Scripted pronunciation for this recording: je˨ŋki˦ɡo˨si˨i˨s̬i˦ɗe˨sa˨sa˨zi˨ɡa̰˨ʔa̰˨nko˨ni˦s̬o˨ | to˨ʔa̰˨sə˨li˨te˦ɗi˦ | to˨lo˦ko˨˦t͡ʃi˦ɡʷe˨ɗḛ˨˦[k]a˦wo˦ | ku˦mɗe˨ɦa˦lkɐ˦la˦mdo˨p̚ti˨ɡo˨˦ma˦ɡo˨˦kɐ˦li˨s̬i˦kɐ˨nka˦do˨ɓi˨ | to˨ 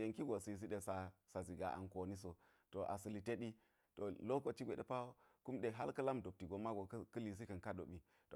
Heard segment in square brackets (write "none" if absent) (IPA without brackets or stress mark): p